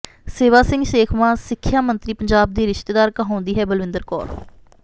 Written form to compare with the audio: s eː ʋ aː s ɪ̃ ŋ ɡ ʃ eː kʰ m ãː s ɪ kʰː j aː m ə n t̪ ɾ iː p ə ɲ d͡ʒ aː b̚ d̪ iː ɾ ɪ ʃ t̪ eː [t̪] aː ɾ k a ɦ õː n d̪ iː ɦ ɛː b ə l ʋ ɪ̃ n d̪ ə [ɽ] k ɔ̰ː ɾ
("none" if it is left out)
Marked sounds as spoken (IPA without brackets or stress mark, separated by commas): d̪, ɾ